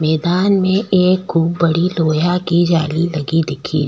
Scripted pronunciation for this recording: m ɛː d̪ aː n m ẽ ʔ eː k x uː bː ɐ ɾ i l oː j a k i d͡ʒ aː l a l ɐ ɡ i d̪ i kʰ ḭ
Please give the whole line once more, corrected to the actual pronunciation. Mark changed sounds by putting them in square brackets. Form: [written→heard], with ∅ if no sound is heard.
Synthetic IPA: m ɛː d̪ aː n m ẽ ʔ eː k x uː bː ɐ [ɾ→ɽ] i l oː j a k i d͡ʒ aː l [a→i] l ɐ ɡ i d̪ [i→ɪ] kʰ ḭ